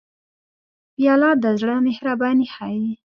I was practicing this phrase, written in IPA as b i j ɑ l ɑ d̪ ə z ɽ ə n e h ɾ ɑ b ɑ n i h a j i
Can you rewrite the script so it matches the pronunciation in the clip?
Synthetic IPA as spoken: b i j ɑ l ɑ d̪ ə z ɽ ə m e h ɾ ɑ b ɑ n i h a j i